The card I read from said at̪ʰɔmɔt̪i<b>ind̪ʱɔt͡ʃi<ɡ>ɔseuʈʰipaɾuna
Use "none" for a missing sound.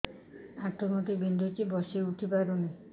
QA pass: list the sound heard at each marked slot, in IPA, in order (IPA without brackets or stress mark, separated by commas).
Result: b, b